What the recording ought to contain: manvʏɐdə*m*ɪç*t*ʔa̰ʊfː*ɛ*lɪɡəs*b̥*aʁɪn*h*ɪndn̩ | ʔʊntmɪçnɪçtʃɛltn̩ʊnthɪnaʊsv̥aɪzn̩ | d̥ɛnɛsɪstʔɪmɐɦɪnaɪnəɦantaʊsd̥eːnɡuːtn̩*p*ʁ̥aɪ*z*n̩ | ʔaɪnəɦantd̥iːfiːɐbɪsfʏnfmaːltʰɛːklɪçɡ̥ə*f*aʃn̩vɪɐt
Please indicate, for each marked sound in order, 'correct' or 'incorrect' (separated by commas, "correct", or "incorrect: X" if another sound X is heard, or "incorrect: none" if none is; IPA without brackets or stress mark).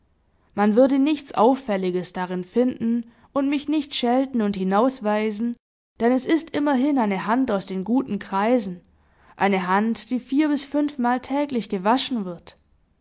incorrect: n, incorrect: t͡s, correct, incorrect: d̥, incorrect: f, incorrect: k, correct, incorrect: v